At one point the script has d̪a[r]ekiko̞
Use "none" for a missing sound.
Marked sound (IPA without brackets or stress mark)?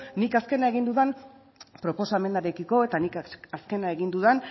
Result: ɾ